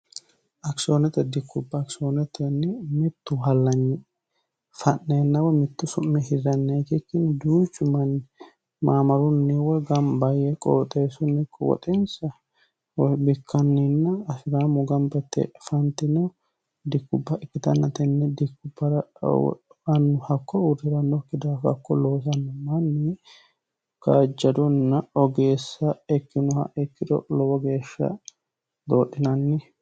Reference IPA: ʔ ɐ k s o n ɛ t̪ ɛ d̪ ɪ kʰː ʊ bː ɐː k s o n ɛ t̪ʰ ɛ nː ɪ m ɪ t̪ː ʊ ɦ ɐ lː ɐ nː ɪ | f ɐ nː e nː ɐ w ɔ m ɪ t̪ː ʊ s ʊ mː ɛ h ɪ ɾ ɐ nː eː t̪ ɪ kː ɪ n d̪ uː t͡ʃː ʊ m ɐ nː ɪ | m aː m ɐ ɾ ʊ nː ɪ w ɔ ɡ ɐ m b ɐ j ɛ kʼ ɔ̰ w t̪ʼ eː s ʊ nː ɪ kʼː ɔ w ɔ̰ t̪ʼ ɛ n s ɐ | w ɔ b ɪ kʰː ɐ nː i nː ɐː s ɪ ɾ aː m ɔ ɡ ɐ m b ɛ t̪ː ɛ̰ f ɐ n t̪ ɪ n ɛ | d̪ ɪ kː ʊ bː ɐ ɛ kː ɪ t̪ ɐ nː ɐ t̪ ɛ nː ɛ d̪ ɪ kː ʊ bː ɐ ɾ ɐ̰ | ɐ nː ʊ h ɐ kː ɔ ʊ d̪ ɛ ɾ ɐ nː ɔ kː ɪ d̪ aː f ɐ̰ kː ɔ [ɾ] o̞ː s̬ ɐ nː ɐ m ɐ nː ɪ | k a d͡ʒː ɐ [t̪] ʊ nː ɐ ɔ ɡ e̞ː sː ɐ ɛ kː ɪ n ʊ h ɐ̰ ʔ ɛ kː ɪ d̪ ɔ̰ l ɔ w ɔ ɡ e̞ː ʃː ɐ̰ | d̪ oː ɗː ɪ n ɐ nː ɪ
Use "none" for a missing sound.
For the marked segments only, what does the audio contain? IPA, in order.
l, d̪

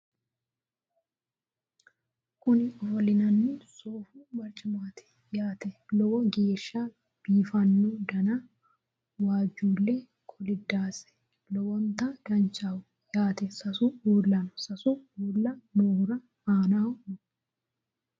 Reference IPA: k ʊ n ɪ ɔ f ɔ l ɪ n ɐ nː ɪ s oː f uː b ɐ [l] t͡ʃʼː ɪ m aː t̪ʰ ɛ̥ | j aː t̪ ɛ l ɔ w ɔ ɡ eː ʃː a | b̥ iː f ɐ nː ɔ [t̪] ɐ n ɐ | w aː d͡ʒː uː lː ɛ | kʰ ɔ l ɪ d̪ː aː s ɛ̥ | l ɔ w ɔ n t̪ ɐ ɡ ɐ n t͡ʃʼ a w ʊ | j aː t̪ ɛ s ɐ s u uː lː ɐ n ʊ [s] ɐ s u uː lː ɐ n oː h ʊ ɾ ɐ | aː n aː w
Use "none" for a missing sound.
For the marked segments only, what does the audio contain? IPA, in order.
ɾ, d̪, s

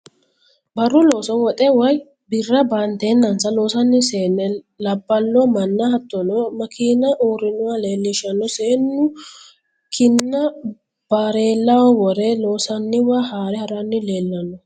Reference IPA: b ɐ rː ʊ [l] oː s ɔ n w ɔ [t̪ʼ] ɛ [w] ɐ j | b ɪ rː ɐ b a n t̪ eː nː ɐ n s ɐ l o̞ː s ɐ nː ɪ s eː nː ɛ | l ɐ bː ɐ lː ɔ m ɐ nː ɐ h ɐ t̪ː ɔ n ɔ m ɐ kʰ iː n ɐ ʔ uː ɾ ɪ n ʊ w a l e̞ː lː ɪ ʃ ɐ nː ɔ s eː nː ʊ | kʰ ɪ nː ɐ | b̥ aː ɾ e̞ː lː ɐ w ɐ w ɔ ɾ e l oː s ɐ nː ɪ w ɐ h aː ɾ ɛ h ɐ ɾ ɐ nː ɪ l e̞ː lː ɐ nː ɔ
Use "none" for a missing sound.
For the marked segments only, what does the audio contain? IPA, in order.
l, t̪ʼ, w

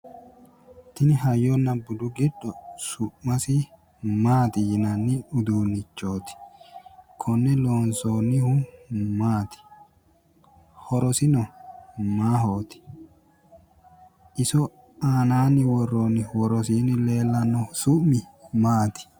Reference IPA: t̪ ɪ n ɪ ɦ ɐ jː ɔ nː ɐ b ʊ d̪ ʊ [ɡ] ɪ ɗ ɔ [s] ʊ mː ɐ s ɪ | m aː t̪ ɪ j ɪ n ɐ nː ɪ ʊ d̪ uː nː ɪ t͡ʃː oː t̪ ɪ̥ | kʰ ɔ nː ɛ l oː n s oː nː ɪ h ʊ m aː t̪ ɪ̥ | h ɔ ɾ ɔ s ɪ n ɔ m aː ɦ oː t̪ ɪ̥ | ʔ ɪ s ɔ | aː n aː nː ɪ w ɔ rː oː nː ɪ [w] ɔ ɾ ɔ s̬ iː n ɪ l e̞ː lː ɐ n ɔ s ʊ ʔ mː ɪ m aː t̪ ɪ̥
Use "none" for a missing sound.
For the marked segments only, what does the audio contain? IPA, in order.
ɡ, s, w

